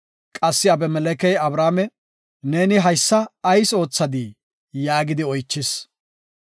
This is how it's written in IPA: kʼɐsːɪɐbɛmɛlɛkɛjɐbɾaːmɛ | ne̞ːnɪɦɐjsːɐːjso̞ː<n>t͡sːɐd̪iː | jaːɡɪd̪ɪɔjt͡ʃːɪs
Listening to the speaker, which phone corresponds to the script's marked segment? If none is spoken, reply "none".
none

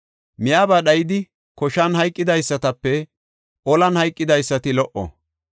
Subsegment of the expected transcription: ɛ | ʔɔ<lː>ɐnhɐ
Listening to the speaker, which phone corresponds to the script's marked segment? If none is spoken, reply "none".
l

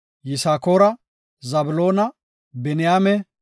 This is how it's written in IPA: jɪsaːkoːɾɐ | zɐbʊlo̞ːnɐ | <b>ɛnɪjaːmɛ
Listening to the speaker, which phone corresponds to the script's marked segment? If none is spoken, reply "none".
b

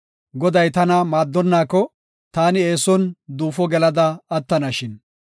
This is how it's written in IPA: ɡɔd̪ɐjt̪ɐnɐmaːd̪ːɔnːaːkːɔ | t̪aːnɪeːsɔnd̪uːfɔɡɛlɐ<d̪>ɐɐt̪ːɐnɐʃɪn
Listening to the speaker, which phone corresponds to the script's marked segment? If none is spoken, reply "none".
d̪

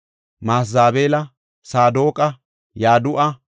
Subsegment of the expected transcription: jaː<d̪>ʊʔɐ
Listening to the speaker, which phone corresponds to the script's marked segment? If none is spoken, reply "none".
d̪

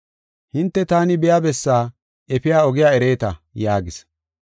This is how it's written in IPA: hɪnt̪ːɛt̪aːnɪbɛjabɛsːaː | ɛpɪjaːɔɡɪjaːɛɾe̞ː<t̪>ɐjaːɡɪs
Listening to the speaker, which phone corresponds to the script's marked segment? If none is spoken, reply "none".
t̪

